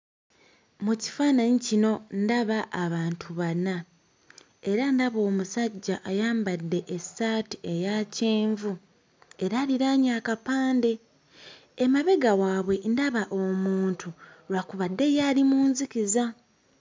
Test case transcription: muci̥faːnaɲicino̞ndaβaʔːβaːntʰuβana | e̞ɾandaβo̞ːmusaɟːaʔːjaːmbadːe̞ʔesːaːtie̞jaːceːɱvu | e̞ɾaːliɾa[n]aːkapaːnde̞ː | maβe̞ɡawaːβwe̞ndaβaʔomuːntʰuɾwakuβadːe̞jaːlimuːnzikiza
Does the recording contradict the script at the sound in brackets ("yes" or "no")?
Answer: yes